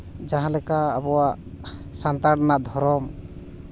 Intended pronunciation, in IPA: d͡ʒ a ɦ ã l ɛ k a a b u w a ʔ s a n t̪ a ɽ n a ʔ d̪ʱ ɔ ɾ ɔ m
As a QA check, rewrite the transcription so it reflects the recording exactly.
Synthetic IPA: d͡ʒ a ɦ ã l ɛ k a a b ɔ w a ʔ s a n t̪ a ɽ n a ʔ d̪ʱ ɔ ɾ ɔ m